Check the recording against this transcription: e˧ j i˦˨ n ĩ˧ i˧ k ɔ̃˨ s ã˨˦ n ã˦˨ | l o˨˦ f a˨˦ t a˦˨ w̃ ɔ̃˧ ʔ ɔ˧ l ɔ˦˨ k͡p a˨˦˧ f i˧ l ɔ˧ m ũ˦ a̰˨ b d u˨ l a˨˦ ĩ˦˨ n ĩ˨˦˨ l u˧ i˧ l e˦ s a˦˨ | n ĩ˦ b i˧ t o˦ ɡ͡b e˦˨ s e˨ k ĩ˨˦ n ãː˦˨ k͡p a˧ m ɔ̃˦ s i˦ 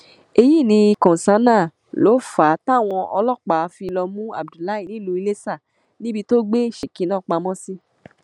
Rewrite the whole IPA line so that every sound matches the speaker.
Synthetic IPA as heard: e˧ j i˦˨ n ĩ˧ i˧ k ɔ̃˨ s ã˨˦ n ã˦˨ | l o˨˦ f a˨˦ t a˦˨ w̃ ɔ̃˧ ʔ ɔ˧ l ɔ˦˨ k͡p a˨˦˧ f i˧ l ɔ˧ m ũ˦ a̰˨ b d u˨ l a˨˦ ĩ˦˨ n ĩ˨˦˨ l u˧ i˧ l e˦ s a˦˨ | n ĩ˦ b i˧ t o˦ ɡ͡b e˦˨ ʃ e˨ k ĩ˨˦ n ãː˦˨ k͡p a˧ m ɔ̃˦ s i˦